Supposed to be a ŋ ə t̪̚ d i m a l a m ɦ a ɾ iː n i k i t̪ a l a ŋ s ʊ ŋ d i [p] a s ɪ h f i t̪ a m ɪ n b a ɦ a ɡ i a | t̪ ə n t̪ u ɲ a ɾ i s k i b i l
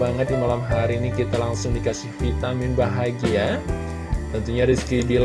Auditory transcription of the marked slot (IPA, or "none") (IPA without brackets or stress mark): k